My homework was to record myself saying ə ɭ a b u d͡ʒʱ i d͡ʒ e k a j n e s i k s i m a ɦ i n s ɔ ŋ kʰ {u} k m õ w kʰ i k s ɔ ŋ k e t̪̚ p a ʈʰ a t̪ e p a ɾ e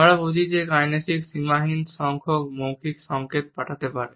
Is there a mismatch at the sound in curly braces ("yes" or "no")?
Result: yes